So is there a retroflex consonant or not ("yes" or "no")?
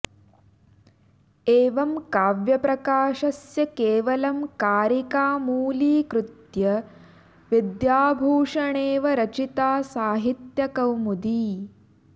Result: yes